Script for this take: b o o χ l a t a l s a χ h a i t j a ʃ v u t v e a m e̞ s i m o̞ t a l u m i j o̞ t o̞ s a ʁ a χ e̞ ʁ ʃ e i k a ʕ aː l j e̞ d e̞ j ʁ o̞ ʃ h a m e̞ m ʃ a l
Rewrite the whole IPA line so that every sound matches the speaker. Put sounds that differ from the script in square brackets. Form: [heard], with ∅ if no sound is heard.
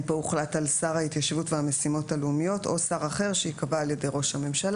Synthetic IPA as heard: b o [u] χ l a t a l s a [ʁ] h a i t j a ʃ v u t v e a m e̞ s i m o̞ t a l u m i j o̞ t o̞ s a ʁ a χ e̞ ʁ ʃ e i k a [v] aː l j e̞ d e̞ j ʁ o̞ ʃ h a m e̞ m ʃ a l